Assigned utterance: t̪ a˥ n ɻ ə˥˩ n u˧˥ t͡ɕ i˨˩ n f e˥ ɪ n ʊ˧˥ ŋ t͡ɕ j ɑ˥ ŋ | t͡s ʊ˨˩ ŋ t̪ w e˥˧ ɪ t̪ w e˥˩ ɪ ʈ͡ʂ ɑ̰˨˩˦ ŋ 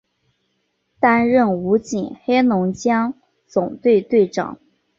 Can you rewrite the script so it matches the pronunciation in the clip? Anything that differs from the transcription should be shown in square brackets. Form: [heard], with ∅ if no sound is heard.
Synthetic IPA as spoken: t̪ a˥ n ɻ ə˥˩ n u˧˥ t͡ɕ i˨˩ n [x] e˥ ɪ n ʊ˧˥ ŋ t͡ɕ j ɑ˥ ŋ | t͡s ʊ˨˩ ŋ t̪ w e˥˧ ɪ t̪ w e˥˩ ɪ ʈ͡ʂ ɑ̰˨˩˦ ŋ